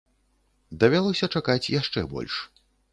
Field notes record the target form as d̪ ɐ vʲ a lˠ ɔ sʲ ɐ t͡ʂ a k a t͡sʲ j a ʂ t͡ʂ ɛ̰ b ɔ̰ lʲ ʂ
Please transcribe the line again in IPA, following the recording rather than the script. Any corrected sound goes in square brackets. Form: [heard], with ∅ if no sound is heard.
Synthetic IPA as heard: d̪ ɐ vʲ a lˠ ɔ sʲ ɐ t͡ʂ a k a t͡sʲ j a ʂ t͡ʂ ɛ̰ b ɔ̰ lʲ ʂ